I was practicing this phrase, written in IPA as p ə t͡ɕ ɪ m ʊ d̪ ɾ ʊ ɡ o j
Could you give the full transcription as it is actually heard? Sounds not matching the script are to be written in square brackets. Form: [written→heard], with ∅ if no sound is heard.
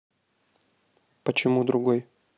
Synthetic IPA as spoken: p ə t͡ɕ ɪ m [ʊ→u] d̪ ɾ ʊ ɡ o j